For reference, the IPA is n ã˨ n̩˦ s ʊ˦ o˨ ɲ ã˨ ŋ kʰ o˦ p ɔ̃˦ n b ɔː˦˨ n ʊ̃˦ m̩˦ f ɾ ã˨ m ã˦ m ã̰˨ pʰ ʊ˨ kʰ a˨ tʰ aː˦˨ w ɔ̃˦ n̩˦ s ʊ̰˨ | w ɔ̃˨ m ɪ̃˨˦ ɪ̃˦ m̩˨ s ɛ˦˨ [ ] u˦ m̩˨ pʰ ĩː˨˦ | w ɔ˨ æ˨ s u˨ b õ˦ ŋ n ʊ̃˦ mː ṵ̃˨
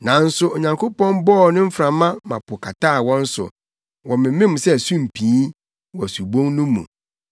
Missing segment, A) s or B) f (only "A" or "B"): A